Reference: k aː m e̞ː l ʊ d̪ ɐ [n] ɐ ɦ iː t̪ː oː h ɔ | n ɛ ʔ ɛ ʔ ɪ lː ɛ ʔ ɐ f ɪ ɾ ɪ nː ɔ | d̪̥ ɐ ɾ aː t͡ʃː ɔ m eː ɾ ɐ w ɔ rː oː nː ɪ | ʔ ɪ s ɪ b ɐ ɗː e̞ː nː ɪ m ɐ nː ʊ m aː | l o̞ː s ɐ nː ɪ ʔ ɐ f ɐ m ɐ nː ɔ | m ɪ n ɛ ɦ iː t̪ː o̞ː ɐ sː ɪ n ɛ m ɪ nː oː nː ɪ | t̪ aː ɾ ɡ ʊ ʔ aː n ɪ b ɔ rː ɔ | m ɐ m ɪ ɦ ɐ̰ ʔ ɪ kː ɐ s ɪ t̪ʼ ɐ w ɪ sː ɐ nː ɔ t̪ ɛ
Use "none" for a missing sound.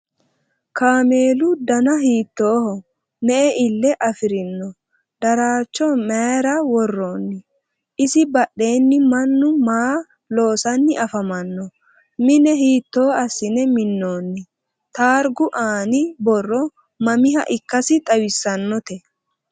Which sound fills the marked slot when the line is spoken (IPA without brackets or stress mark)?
n